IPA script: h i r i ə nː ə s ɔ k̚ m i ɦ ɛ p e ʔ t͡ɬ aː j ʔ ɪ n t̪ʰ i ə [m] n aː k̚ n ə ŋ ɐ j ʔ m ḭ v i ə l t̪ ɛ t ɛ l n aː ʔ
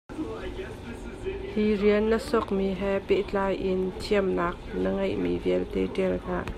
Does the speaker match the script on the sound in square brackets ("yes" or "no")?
yes